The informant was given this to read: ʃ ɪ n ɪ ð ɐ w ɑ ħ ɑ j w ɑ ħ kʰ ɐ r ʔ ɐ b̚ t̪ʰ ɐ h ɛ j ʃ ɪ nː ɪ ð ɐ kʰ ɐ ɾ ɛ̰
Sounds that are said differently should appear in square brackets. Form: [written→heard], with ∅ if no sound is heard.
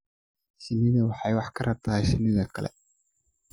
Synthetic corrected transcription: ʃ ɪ n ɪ ð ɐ w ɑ ħ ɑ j w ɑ ħ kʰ ɐ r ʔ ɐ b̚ t̪ʰ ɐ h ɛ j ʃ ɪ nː ɪ ð ɐ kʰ ɐ [ɾ→l] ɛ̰